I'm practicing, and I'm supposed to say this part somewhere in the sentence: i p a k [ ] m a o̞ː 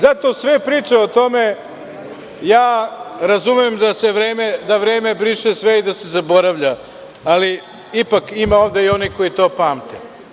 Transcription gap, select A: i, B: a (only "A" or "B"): A